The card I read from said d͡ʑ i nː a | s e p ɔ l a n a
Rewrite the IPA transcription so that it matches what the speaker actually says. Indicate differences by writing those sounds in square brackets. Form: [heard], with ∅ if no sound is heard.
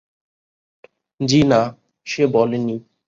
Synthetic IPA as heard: d͡ʑ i [n] a | [ʃ] e [b] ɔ l [e] n [i]